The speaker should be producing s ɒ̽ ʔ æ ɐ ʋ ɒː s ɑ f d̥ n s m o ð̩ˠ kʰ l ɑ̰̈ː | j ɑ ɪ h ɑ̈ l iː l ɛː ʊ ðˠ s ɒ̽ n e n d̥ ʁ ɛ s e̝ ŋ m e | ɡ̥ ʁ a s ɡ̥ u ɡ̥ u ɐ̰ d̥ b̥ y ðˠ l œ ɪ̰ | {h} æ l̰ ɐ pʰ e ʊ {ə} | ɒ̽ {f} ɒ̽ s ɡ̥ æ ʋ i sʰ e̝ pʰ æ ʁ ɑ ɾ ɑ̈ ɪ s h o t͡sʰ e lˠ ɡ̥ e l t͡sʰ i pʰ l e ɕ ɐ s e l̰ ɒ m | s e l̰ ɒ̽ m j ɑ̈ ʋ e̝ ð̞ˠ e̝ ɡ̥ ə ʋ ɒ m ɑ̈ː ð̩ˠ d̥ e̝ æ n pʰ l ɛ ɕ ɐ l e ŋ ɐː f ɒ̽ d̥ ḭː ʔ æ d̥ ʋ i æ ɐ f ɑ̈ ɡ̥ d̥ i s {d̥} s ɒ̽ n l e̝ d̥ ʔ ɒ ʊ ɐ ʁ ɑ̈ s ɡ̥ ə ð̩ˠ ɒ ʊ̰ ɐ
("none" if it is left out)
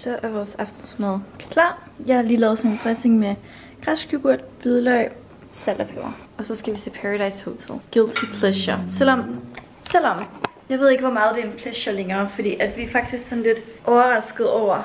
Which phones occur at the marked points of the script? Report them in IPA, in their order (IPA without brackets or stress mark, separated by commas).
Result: s, ɐ, s, ɡ̥